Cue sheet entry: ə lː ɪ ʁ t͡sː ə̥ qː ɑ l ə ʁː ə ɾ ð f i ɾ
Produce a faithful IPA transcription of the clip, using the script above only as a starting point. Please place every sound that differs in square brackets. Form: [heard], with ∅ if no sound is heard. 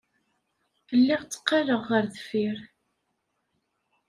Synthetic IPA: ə lː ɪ ʁ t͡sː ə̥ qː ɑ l ə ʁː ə ɾ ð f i ɾ